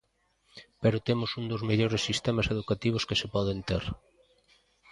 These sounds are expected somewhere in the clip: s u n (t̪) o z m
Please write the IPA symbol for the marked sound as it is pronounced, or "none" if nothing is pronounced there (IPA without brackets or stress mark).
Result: d̪